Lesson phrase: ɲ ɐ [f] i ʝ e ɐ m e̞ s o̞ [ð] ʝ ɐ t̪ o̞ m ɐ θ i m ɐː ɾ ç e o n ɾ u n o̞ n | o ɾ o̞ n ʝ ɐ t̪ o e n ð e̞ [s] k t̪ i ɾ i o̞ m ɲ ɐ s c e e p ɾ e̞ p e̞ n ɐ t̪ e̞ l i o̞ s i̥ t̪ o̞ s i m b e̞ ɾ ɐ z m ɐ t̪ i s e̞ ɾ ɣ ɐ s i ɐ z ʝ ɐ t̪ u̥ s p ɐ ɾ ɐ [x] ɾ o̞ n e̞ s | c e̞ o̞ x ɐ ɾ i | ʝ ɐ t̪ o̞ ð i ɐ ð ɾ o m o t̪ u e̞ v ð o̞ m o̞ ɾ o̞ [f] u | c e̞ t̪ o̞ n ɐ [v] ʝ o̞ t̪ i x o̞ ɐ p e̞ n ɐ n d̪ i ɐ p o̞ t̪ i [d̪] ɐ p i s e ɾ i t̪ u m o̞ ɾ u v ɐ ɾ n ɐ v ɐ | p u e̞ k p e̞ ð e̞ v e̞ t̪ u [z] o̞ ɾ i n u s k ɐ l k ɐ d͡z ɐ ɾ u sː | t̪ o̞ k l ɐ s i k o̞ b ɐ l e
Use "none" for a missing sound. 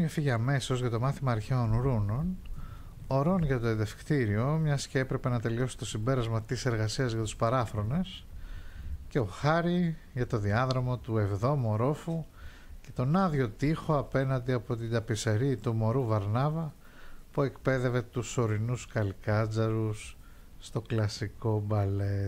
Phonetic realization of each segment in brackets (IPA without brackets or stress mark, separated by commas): f, z, f, f, f, ð, d̪, s